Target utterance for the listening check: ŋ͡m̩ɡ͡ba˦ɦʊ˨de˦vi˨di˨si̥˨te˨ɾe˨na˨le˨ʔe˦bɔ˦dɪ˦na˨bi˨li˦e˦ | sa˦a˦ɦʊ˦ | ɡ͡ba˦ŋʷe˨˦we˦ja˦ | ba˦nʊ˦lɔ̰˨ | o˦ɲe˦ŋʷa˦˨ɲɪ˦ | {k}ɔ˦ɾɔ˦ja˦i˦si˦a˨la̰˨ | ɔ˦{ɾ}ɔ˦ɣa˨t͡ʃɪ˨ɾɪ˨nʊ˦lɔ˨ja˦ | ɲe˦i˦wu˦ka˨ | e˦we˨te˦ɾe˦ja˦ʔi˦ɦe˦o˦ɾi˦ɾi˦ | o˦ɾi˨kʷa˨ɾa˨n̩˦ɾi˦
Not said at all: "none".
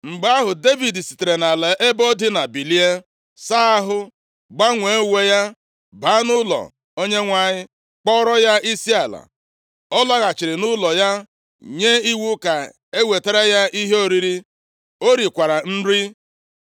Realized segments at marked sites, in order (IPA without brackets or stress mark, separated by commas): k͡p, l